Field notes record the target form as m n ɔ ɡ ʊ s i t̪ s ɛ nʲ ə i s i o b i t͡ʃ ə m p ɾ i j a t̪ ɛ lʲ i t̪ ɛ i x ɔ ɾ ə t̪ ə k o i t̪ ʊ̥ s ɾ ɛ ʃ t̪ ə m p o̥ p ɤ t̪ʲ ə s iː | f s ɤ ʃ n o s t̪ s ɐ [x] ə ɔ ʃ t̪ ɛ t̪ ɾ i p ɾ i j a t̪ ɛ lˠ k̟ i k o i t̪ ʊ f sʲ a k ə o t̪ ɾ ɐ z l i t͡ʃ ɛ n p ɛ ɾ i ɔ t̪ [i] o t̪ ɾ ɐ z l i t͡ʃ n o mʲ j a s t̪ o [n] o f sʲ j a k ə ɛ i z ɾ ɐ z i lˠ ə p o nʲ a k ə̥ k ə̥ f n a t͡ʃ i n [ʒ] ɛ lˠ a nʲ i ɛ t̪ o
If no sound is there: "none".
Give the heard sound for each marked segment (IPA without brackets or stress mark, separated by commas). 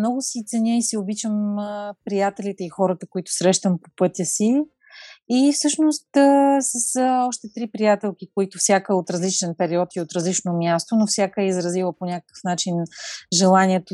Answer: s, i, n, ʒ